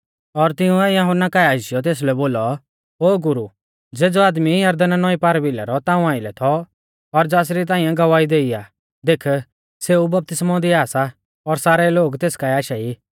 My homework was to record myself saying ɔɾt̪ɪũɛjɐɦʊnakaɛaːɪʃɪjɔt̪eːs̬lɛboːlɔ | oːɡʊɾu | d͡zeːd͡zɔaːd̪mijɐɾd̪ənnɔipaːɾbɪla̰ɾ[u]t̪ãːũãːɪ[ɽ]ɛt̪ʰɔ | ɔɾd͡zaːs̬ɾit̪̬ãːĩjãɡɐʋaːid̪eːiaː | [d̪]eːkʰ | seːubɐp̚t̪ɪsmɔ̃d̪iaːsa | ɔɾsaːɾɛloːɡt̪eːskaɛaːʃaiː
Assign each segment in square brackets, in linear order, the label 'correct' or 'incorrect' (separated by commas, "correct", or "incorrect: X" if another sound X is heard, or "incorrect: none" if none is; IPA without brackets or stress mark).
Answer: incorrect: ɔ, incorrect: l, correct